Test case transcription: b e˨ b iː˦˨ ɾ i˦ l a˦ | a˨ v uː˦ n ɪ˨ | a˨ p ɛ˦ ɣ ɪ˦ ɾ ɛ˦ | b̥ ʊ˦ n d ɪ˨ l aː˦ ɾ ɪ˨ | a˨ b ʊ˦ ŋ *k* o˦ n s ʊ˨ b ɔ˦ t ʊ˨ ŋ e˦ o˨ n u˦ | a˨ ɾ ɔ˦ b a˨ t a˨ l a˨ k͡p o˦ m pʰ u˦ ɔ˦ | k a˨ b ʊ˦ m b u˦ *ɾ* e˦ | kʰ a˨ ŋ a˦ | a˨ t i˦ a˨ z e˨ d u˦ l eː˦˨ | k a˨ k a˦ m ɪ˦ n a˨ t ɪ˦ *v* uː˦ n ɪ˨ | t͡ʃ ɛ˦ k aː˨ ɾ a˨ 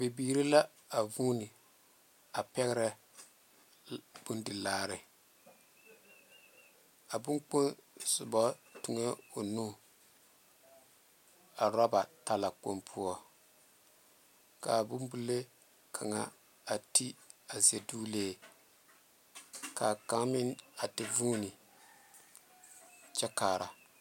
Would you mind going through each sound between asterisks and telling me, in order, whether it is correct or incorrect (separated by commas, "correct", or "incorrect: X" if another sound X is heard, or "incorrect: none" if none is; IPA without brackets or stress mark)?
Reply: incorrect: k͡p, incorrect: l, correct